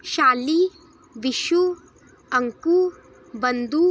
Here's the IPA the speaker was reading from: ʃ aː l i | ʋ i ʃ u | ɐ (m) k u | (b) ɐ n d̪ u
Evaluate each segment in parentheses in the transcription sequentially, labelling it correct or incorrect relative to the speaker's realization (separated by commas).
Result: incorrect, correct